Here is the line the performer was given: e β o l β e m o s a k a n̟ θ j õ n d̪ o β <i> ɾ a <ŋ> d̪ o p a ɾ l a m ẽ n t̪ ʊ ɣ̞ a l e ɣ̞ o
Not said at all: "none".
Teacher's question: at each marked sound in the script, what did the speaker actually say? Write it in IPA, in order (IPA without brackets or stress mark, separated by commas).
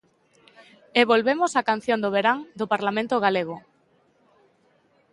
e, ŋ